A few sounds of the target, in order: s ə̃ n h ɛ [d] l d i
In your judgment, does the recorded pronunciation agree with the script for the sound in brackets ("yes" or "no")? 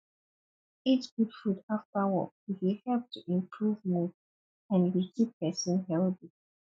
no